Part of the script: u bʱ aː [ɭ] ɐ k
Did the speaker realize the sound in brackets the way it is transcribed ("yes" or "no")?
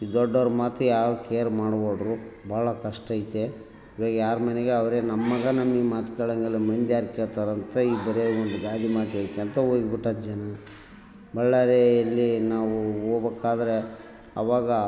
yes